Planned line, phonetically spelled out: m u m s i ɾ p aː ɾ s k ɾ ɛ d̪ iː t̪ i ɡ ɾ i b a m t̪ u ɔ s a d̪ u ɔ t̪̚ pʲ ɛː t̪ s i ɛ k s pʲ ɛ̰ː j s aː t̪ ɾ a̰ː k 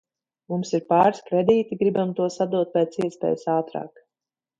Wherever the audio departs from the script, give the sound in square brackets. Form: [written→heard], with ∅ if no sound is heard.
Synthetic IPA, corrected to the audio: m u m s i ɾ p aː ɾ s k ɾ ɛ d̪ iː t̪ i ɡ ɾ i b a m t̪ u ɔ s a d̪ u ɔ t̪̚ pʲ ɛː t̪ s i ɛ [k→∅] s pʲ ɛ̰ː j s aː t̪ ɾ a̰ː k